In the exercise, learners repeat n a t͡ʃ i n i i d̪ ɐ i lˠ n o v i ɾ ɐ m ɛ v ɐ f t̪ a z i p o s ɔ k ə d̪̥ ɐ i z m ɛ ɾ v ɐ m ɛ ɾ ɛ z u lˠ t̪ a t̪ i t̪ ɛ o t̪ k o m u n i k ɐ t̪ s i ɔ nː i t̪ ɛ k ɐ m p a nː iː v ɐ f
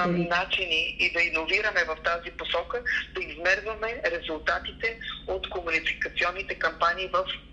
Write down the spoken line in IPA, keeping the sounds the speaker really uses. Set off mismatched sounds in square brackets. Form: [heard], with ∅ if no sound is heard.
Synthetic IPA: n a t͡ʃ i n i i d̪ ɐ i [∅] n o v i ɾ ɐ m ɛ v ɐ f t̪ a z i p o s ɔ k ə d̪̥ ɐ i z m ɛ ɾ v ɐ m ɛ ɾ ɛ z u lˠ t̪ a t̪ i t̪ ɛ o t̪ k o m u n i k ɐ t̪ s i ɔ nː i t̪ ɛ k ɐ m p a [n] iː v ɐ f